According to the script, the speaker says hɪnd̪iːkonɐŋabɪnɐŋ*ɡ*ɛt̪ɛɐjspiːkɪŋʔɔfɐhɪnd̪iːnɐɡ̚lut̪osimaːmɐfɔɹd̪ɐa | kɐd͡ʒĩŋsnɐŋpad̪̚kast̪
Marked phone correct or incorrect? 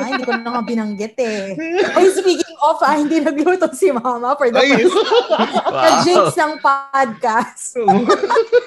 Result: correct